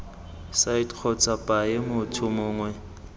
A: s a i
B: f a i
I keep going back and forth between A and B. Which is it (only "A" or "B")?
A